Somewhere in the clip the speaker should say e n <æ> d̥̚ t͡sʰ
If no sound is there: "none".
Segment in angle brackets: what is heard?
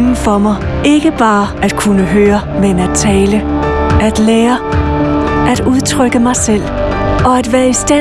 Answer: æ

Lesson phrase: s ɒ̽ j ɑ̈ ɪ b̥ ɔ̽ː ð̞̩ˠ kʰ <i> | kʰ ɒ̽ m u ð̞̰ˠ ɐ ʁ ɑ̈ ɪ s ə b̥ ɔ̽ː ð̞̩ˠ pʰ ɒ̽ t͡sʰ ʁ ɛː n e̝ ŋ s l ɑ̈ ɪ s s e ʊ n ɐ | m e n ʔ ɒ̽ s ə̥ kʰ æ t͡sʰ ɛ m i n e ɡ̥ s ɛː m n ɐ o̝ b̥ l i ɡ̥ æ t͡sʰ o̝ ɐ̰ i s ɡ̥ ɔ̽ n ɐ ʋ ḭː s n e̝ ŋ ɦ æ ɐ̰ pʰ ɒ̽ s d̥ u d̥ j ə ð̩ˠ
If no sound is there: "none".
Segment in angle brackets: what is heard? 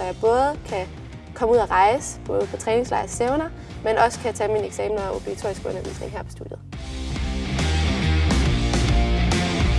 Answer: æ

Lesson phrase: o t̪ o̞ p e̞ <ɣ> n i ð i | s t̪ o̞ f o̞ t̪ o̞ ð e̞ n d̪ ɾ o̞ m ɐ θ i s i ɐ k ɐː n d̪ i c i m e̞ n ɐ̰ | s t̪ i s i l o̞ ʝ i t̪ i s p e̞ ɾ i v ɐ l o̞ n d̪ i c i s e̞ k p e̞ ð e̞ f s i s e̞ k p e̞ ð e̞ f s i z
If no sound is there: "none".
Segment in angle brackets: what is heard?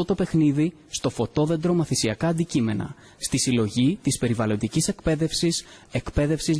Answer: x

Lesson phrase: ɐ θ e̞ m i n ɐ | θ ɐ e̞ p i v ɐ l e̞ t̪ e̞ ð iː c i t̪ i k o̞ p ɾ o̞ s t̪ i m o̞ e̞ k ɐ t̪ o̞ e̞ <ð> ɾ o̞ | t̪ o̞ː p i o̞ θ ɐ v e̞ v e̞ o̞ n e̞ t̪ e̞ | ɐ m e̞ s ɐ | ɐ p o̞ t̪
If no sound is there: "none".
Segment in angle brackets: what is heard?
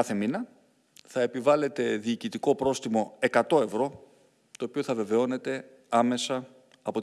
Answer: v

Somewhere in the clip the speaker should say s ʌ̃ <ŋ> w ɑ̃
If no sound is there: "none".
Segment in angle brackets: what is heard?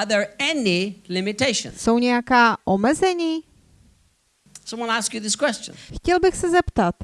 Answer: m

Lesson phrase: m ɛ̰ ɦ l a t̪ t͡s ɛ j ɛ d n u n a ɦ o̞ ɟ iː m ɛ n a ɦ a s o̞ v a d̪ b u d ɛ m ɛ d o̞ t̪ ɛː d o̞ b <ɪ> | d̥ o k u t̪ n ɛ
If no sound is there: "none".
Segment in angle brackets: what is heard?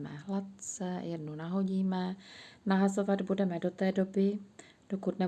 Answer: ɪ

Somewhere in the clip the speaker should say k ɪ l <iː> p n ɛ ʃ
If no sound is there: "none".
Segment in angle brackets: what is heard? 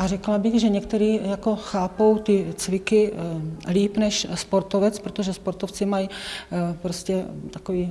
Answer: iː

